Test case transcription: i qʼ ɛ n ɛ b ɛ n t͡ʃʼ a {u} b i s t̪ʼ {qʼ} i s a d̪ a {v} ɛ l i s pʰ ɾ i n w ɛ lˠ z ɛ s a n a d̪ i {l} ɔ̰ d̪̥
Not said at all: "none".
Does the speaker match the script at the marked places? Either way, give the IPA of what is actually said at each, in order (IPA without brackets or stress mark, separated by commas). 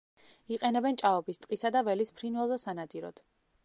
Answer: ɔ, qʼ, v, ɾ